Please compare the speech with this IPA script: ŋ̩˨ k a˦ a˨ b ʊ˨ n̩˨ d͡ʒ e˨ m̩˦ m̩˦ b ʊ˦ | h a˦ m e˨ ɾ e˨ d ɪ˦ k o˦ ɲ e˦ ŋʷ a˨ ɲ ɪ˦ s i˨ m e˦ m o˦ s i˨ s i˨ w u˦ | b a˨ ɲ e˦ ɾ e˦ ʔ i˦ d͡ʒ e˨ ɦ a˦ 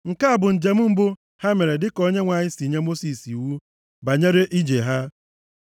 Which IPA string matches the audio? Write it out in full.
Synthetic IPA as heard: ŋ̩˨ k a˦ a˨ b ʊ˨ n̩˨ d͡ʒ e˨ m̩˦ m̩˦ b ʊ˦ | h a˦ m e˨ ɾ e˨ d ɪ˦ k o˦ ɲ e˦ ŋʷ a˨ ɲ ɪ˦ s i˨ ɲ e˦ m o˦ s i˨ s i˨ w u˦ | b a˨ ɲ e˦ ɾ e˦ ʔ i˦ d͡ʒ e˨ ɦ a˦